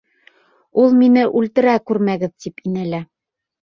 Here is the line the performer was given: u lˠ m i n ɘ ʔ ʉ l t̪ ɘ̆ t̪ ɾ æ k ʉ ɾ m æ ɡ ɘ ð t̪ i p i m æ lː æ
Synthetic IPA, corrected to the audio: u lˠ m i n ɘ ʔ ʉ l t̪ ɘ̆ ɾ æ k ʉ ɾ m æ ɡ ɘ ð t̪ i p i n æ l æ